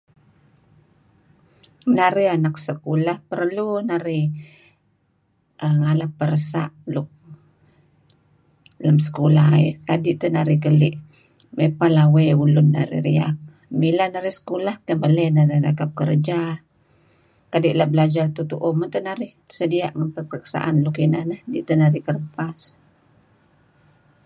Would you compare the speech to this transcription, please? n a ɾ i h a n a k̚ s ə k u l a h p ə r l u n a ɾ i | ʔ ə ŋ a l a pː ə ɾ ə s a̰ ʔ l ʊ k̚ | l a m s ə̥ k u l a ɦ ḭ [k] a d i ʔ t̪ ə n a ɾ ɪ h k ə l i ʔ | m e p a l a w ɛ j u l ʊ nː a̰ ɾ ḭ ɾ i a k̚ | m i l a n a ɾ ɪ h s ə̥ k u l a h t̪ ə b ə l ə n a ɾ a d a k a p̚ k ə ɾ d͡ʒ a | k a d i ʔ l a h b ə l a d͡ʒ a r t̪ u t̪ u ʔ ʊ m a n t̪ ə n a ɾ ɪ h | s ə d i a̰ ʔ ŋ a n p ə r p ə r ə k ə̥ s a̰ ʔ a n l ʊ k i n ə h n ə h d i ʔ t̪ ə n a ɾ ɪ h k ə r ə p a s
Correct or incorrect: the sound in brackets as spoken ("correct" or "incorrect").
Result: correct